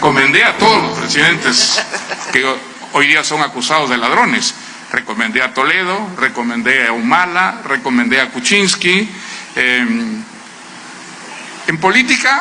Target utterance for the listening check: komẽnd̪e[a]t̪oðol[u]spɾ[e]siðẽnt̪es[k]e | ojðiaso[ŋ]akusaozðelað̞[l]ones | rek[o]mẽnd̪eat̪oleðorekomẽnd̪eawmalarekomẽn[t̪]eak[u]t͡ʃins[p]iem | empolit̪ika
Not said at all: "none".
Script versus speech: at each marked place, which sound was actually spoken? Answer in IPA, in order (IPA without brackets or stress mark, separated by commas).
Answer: a, o, e, k, ŋ, ɾ, o, d̪, u, k